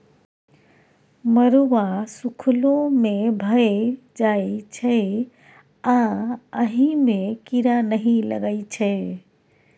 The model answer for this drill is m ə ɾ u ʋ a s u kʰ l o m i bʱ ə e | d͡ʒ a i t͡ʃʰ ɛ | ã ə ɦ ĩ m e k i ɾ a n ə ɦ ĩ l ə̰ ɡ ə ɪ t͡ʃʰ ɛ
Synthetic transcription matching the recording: m ə ɾ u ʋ a s u kʰ l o m e bʱ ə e | d͡ʒ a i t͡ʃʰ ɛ | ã ə ɦ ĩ m e k i ɾ a n ə ɦ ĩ l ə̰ ɡ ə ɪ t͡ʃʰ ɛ